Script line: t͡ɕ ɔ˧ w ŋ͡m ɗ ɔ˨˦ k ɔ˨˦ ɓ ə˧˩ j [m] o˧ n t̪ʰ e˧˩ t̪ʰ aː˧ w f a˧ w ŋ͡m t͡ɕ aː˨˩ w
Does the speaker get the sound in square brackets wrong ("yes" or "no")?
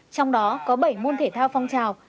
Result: no